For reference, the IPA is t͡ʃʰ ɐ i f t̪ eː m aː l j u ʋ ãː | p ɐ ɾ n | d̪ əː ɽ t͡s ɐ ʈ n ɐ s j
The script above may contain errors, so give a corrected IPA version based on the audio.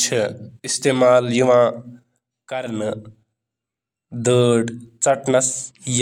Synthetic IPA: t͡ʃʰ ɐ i s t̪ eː m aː l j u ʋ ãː | k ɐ ɾ n | d̪ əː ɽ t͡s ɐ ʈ n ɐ s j